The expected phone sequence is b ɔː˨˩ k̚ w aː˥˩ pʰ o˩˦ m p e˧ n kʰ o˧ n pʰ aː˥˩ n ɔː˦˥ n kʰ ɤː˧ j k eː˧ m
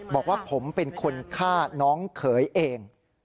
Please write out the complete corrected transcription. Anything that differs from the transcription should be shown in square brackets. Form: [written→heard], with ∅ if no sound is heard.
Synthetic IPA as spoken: b ɔː˨˩ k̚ w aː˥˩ pʰ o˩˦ m p e˧ n kʰ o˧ n [pʰ→kʰ] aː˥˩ n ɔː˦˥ [n→ŋ] kʰ [ɤː˧→ɤː˩˦] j [k→ʔ] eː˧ [m→ŋ]